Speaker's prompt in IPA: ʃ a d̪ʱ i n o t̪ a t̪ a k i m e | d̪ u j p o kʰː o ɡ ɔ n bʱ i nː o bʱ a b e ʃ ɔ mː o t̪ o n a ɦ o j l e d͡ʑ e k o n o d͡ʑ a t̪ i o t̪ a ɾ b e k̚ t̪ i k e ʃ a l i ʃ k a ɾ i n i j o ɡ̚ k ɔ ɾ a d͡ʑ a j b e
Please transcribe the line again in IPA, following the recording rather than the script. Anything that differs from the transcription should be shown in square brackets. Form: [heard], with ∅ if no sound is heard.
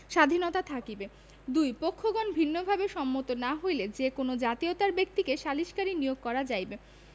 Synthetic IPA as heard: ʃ a d̪ʱ i n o t̪ a [t̪ʰ] a k i [b] e | d̪ u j p o kʰː o ɡ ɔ n bʱ i nː o bʱ a b e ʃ ɔ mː o t̪ o n a ɦ o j l e d͡ʑ e k o n o d͡ʑ a t̪ i o t̪ a ɾ b e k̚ t̪ i k e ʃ a l i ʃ k a ɾ i n i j o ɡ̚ k ɔ ɾ a d͡ʑ a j b e

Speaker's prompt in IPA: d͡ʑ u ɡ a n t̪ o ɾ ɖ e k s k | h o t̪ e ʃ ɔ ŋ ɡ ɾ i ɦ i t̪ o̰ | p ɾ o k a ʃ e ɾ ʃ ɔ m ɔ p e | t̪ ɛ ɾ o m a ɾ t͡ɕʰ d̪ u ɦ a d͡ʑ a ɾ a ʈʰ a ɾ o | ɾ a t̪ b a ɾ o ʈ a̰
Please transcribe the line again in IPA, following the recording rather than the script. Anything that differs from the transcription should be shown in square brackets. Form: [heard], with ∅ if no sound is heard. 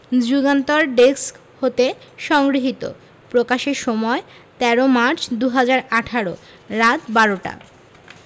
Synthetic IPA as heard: d͡ʑ u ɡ a n t̪ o ɾ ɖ e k s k | h o t̪ e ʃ ɔ ŋ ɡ ɾ i ɦ i t̪ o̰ | p ɾ o k a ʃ e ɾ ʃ ɔ m ɔ [∅] e | t̪ ɛ ɾ o m a ɾ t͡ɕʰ d̪ u ɦ a d͡ʑ a ɾ a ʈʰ a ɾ o | ɾ a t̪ b a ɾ o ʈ a̰

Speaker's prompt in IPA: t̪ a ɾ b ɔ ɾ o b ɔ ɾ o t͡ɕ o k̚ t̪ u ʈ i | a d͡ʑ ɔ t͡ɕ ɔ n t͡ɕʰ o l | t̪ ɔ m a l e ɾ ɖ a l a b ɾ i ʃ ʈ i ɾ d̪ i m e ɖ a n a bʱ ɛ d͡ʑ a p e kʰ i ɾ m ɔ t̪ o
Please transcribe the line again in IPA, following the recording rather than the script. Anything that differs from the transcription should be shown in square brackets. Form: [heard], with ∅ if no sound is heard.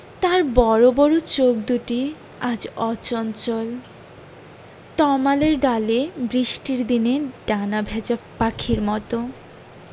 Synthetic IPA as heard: t̪ a ɾ b ɔ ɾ o b ɔ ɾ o t͡ɕ o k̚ [d̪] u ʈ i | a d͡ʑ ɔ t͡ɕ ɔ n [t͡ɕ] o l | t̪ ɔ m a l e ɾ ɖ a l [e] b ɾ i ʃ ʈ i ɾ d̪ i [n] e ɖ a n a bʱ ɛ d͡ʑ a p [a] kʰ i ɾ m ɔ t̪ o

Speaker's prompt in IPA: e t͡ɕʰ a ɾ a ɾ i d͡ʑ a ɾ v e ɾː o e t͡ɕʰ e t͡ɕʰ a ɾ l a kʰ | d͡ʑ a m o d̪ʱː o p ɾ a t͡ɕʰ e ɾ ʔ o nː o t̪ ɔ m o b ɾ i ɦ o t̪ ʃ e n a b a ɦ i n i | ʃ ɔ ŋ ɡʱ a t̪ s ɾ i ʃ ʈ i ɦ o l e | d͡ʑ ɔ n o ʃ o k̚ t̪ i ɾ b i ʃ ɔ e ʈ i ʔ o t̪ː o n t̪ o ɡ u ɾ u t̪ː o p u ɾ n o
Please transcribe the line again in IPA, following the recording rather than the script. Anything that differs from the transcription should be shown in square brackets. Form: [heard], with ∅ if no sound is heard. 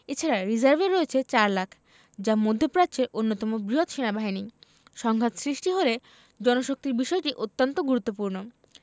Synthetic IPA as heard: e t͡ɕʰ a ɾ a ɾ i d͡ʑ a ɾ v e ɾː o e t͡ɕʰ e [t͡ɕ] a ɾ l a kʰ | d͡ʑ a m o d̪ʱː o p ɾ a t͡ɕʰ e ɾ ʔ o nː o t̪ ɔ m o b ɾ i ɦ o t̪ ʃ e n a b a ɦ i n i | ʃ ɔ ŋ ɡʱ a t̪ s ɾ i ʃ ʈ i ɦ o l e | d͡ʑ ɔ n o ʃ o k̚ t̪ i ɾ b i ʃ ɔ e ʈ i ʔ o t̪ː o n t̪ o ɡ u ɾ u t̪ː o p u ɾ n o

